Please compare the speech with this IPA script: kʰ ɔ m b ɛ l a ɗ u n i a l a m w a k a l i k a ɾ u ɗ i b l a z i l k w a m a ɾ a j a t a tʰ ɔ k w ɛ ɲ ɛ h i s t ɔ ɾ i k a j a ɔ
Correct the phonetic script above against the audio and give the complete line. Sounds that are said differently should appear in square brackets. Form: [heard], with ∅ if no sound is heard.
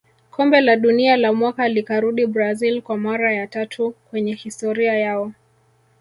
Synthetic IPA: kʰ ɔ m b ɛ l a ɗ u n i a l a m w a k a l i k a ɾ u ɗ i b [ɾ] a z i l k w a m a ɾ a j a t a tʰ [u] k w ɛ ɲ ɛ h i s t ɔ ɾ i [∅] a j a ɔ